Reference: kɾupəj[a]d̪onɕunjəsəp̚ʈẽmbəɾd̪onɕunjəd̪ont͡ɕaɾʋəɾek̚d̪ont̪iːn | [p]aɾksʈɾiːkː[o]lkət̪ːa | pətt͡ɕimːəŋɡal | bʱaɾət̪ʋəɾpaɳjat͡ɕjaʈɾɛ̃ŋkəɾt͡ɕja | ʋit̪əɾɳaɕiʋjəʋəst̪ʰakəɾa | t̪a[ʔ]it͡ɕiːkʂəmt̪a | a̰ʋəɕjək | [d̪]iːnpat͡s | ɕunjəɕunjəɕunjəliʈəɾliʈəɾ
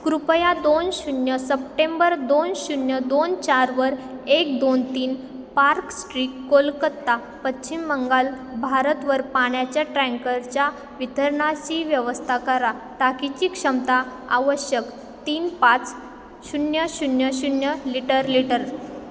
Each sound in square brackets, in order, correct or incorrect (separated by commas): correct, correct, correct, incorrect, incorrect